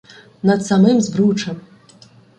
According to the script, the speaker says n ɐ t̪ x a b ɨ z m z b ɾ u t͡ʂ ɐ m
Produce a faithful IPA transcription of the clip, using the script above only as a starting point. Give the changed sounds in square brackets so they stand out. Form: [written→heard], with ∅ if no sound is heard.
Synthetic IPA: n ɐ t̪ [x→s] a [b→m] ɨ [z→∅] m z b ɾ u t͡ʂ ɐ m